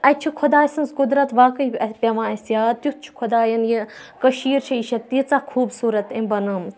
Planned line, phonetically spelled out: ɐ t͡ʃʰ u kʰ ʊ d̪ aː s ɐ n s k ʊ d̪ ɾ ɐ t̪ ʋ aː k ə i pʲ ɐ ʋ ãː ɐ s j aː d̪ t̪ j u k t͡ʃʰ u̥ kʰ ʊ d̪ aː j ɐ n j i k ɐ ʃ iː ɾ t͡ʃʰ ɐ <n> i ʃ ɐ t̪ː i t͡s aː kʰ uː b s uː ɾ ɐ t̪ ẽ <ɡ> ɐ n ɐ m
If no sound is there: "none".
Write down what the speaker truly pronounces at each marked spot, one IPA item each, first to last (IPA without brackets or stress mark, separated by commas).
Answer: none, b